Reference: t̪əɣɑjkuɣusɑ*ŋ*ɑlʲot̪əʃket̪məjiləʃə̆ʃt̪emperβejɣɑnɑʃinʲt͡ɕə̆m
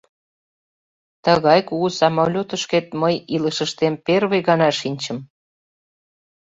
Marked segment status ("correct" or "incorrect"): incorrect